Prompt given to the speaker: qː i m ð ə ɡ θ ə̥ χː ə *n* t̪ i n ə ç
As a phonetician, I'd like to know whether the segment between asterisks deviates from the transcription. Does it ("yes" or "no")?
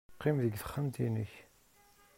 yes